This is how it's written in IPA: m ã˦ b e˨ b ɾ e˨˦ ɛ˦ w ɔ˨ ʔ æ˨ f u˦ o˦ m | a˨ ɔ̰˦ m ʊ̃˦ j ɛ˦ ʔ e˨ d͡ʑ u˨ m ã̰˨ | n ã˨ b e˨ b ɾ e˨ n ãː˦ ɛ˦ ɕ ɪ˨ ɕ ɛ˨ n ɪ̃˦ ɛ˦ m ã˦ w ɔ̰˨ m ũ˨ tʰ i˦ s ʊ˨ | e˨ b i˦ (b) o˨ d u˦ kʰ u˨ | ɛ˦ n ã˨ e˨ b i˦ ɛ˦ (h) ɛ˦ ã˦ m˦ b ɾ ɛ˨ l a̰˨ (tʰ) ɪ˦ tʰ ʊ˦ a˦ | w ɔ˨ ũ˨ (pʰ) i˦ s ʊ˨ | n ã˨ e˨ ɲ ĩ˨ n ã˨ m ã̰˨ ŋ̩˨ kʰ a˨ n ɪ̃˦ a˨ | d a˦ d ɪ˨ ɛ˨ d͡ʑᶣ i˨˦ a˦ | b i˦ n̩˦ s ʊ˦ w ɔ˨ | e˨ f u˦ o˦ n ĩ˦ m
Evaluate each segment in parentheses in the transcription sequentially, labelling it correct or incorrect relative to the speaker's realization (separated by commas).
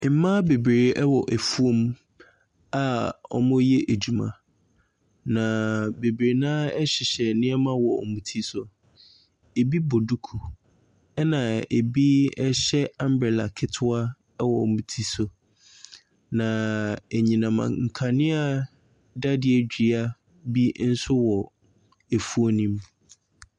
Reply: correct, incorrect, incorrect, incorrect